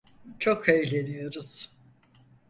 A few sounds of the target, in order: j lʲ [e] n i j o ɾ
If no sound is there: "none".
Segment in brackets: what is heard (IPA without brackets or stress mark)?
e